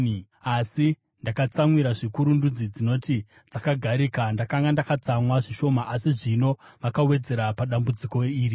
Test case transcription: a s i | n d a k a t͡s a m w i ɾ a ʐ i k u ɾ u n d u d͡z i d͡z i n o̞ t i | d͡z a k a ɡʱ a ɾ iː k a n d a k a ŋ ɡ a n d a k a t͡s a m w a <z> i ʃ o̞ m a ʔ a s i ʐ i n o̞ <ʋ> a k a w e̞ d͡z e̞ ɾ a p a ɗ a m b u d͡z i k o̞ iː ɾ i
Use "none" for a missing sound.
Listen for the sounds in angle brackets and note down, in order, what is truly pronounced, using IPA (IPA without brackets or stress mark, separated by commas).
ʐ, ʋ